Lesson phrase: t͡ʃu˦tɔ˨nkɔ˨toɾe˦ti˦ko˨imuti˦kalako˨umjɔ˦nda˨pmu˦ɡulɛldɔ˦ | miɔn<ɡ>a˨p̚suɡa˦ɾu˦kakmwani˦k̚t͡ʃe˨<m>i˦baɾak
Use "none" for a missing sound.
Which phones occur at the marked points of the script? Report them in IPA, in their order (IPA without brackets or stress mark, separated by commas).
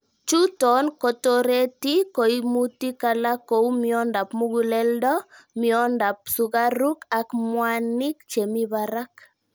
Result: d, m